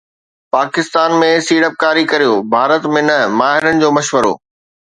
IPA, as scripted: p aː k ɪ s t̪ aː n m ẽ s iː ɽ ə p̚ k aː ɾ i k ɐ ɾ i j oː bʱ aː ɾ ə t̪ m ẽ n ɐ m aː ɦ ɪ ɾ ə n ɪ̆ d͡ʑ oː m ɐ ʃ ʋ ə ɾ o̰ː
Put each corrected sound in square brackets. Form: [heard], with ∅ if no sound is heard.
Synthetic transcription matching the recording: p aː k ɪ s t̪ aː n m ẽ s iː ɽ ə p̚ k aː ɾ i k ɐ ɾ i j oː bʱ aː ɾ ə t̪ m ẽ n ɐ m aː ɦ ɪ ɾ ə n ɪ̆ d͡ʑ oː m ɐ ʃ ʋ ə ɾ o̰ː